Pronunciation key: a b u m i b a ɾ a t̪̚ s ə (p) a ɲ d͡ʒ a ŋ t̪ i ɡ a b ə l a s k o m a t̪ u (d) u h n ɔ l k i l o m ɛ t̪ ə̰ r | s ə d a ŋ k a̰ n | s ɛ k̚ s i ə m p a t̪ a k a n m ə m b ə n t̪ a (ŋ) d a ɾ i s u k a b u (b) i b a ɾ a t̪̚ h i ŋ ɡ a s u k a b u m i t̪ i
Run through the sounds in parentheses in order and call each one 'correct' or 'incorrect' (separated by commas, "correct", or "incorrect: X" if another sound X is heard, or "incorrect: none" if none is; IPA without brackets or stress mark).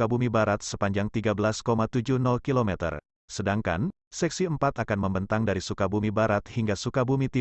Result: correct, incorrect: d͡ʒ, correct, incorrect: m